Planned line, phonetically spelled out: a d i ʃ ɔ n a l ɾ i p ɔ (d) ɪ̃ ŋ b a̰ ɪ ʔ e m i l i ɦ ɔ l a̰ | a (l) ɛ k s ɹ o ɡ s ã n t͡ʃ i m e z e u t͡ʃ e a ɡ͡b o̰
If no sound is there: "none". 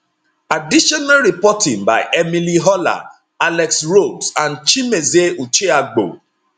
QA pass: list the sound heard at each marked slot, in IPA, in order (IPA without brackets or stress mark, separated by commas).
t, l